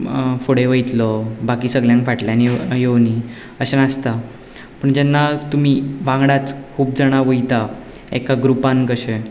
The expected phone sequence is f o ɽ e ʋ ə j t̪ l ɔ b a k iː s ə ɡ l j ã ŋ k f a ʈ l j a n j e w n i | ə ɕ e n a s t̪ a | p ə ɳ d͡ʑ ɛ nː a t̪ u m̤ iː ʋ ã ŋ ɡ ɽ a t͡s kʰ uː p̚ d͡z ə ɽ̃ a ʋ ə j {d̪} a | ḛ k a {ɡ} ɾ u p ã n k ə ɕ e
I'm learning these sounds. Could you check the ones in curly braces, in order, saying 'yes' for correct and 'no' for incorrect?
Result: no, yes

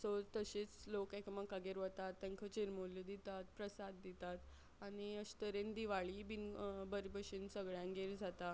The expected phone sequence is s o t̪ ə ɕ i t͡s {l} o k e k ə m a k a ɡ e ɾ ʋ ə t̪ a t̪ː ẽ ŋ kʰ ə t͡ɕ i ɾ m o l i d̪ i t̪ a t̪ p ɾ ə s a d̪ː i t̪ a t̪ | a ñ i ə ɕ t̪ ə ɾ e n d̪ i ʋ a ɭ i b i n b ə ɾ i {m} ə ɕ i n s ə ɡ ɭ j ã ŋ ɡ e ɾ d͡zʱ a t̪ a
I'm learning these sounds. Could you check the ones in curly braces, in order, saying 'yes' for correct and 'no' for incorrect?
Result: yes, no

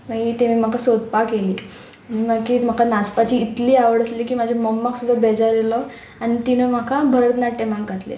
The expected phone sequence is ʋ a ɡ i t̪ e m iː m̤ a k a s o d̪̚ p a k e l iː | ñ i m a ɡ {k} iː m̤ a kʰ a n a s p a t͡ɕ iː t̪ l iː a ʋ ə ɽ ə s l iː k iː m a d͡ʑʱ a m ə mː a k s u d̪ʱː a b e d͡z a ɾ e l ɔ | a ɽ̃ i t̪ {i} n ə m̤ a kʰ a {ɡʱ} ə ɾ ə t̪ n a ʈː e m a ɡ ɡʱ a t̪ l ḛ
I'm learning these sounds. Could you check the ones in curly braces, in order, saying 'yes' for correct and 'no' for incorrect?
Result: yes, yes, no

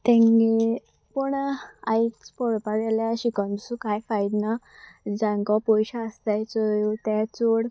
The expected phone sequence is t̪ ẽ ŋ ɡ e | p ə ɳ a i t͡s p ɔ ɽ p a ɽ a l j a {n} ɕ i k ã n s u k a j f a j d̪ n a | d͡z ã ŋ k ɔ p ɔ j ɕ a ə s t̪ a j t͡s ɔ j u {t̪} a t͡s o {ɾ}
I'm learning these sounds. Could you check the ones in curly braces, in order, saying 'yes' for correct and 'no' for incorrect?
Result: no, yes, no

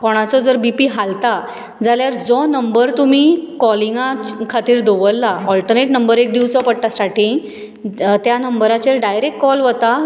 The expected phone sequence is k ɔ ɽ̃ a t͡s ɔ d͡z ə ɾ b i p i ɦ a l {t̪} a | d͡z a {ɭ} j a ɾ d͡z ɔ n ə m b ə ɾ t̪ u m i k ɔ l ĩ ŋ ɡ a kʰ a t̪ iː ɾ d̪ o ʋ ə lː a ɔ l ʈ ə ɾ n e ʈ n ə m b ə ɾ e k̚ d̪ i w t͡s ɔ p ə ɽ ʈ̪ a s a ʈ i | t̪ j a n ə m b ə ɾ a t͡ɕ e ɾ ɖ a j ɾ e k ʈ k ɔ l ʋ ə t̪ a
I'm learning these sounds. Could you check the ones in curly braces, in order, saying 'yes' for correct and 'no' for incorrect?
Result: yes, no

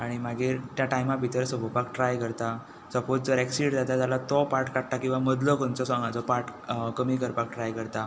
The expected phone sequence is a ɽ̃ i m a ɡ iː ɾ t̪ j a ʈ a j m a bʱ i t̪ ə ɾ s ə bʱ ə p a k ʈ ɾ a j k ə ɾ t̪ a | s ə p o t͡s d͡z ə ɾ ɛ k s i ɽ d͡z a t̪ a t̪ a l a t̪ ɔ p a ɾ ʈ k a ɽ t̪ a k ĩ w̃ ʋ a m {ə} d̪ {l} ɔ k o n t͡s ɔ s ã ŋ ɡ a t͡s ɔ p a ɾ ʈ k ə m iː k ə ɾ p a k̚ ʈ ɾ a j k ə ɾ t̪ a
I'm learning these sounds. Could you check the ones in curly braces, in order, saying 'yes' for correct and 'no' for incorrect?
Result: yes, yes

